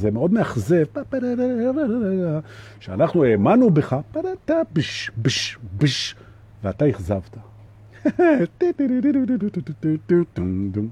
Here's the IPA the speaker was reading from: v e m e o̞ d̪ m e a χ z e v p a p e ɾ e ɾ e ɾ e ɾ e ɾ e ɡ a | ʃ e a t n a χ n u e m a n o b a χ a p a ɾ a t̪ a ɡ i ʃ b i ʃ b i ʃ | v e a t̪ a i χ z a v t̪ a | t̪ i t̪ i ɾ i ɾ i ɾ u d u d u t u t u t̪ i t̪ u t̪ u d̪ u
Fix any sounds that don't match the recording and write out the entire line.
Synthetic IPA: z e m e o̞ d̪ m e a χ z e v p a p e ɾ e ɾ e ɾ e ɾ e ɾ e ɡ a | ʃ e a n a χ n u e m a n u b e χ a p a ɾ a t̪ a b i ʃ b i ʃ b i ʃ | v e a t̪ a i χ z a v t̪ a | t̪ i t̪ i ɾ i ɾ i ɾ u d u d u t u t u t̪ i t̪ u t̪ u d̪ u